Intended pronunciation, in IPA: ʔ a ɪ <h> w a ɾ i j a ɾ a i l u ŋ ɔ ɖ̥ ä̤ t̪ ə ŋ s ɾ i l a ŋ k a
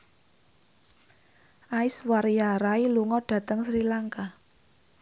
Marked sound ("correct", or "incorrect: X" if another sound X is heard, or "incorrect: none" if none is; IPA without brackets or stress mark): incorrect: s